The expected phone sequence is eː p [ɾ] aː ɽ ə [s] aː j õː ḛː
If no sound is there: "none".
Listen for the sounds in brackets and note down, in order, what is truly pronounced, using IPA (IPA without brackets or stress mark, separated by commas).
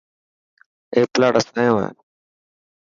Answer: l, s